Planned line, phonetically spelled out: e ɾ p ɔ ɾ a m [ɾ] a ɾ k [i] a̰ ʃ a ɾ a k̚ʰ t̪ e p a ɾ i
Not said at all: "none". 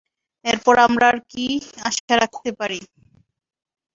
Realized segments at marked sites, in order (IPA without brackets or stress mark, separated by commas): ɾ, i